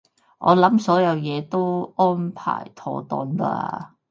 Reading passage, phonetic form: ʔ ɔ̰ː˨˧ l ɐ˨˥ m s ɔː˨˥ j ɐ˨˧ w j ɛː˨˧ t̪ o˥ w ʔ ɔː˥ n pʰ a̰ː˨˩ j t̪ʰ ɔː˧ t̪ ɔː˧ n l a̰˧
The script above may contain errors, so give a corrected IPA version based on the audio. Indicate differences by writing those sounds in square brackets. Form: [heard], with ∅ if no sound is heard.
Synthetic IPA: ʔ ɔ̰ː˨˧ l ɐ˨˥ m s ɔː˨˥ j ɐ˨˧ w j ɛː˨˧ t̪ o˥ w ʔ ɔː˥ n pʰ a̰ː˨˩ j t̪ʰ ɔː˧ t̪ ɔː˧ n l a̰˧